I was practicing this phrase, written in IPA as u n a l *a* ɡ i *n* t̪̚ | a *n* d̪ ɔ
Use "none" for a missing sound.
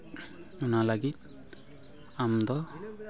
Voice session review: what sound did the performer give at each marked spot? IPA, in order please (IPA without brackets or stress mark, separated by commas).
a, none, m